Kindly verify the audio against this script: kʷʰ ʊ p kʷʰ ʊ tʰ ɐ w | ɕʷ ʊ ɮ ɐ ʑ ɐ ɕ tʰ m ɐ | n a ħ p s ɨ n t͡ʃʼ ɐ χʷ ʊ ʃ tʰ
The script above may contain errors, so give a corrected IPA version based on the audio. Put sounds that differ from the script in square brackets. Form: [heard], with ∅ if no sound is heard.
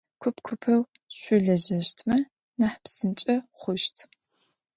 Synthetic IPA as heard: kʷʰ ʊ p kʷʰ ʊ [pʰ] ɐ w | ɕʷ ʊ ɮ ɐ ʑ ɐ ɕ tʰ m ɐ | n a ħ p s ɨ n t͡ʃʼ ɐ χʷ ʊ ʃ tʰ